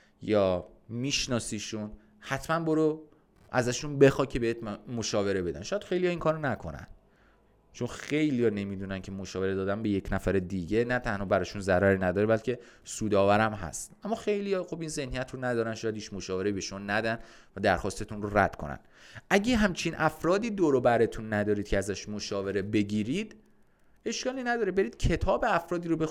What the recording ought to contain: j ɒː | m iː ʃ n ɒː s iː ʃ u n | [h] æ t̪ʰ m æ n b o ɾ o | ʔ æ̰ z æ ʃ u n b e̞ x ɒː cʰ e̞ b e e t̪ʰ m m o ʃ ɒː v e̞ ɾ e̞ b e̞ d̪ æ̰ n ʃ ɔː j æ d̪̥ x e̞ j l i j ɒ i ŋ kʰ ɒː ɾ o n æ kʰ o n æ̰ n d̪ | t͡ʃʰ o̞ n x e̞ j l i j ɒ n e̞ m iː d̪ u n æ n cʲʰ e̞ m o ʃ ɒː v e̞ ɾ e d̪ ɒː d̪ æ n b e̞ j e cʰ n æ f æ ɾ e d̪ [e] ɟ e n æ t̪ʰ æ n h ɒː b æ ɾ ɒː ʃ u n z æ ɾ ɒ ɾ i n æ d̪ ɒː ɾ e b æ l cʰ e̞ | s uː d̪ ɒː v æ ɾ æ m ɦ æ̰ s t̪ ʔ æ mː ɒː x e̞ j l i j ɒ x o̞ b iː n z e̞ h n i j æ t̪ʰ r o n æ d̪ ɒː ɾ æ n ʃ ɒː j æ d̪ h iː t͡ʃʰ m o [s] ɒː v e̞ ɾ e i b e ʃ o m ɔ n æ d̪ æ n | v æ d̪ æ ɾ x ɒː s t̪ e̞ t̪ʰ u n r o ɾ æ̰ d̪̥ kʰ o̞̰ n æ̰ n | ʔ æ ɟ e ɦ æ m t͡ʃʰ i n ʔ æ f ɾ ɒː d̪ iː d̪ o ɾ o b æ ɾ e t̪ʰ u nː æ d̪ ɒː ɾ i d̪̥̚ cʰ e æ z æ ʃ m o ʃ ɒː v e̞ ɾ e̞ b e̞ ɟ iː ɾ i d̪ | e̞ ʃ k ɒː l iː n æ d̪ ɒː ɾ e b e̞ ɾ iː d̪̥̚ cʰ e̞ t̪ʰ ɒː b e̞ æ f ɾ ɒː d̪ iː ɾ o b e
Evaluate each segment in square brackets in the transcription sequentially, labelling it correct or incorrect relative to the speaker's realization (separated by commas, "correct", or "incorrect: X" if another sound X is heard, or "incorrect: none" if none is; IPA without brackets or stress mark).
correct, incorrect: i, incorrect: ʃ